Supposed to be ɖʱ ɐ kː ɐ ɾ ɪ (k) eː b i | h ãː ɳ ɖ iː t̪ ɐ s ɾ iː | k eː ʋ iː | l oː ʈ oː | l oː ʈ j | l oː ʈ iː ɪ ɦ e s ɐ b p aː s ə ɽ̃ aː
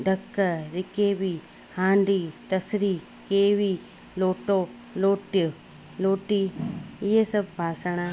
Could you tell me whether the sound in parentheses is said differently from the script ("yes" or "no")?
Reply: no